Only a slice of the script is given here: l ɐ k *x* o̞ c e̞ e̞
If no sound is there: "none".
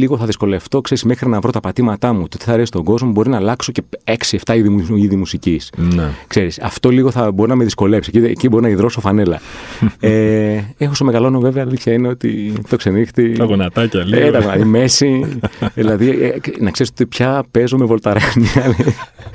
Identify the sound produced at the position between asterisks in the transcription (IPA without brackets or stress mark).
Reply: s